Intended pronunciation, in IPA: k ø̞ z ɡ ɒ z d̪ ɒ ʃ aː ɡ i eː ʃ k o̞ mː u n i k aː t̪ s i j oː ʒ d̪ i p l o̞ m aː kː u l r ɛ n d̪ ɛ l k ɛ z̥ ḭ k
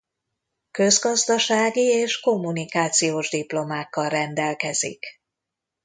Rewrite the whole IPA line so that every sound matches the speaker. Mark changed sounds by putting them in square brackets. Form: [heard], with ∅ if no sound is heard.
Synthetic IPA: k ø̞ z ɡ ɒ z d̪ ɒ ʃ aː ɡ i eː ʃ k o̞ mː u n i k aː t̪ s i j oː ʒ d̪ i p l o̞ m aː kː [ɒ] l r ɛ n d̪ ɛ l k ɛ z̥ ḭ k